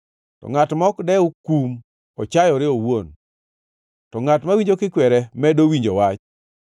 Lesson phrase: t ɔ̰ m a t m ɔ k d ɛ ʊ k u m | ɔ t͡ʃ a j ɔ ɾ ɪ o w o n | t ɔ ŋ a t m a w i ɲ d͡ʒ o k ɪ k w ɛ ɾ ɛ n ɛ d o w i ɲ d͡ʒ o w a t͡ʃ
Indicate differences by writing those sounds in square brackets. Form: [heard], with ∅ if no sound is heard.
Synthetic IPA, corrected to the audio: t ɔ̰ [ŋ] a t m ɔ k d ɛ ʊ k u m | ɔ t͡ʃ a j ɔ ɾ ɪ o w o n | t ɔ ŋ a t m a w i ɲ d͡ʒ o k ɪ k w ɛ ɾ ɛ [m] ɛ d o w i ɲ d͡ʒ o w a t͡ʃ

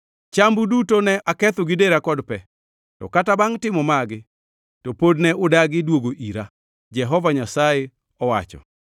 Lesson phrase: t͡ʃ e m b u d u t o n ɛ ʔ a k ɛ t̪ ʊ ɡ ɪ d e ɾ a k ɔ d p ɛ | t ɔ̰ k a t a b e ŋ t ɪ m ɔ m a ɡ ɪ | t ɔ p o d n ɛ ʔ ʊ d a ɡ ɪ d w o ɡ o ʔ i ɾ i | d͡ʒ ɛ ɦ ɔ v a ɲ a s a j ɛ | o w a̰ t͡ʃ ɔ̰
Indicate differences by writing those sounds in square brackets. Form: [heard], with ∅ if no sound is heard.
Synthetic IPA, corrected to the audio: t͡ʃ [a] m b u d u t o n ɛ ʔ a k ɛ t̪ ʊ ɡ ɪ d e ɾ a k ɔ d p ɛ | t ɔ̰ k a t a b [a] ŋ t ɪ m ɔ m a ɡ ɪ | t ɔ p o d n ɛ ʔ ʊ d a ɡ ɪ d w o ɡ o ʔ i ɾ [a] | d͡ʒ ɛ ɦ ɔ v a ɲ a s a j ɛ | [ɔ] w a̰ t͡ʃ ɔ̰

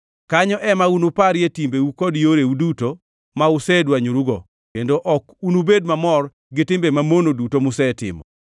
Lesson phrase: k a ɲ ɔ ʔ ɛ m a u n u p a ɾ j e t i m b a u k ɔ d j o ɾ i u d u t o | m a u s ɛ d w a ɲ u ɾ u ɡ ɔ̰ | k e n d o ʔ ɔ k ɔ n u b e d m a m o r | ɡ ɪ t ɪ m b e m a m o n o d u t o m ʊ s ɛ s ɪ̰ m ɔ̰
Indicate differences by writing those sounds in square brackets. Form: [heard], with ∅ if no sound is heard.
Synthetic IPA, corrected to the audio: k a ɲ ɔ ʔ ɛ m a u n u p a ɾ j e t i m b [e] u k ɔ d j o ɾ [e] u d u t o | m a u s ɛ d w a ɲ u ɾ u ɡ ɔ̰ | k e n d o ʔ ɔ k [u] n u b e d m a m [ɔ] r | ɡ ɪ t ɪ m b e m a m o n o d u t o m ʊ s ɛ [t] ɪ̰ m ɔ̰

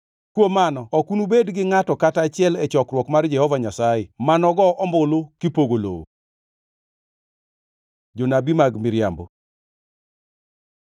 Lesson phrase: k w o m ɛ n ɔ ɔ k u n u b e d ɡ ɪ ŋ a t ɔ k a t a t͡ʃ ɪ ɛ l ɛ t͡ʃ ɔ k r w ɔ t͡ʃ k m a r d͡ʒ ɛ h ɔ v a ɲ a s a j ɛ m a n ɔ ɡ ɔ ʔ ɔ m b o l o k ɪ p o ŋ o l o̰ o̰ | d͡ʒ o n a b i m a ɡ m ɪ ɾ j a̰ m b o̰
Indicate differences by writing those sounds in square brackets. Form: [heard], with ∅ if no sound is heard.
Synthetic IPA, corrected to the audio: k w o m [a] n ɔ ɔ k u n u b e d ɡ ɪ ŋ a t ɔ k a t a t͡ʃ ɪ ɛ l ɛ t͡ʃ ɔ k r w ɔ [∅] k m a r d͡ʒ ɛ h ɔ v a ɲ a s a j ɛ m a n ɔ ɡ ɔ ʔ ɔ m b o l o k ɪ p o [ɡ] o l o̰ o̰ | d͡ʒ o n a b i m a ɡ m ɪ ɾ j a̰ m b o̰

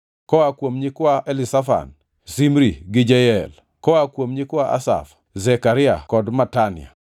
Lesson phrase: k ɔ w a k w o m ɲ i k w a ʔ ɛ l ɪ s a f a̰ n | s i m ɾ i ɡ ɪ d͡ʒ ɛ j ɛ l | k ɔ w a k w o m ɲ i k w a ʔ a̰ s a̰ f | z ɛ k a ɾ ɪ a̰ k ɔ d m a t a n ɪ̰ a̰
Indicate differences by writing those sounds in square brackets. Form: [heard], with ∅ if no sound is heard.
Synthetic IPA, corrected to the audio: k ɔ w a k w o m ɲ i k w a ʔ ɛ l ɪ s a f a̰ n | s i m ɾ i ɡ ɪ d͡ʒ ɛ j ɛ l | k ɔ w a k w o m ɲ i k w a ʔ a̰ s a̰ f | z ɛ k a ɾ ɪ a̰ k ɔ d m a t a n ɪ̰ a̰

